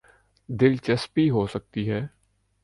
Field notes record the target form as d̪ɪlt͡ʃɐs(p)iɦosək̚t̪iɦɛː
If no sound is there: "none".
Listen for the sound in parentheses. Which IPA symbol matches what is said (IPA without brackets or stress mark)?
p